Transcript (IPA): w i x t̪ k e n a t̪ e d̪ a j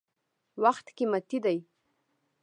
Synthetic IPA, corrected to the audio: w a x t̪ k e m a t̪ i d̪ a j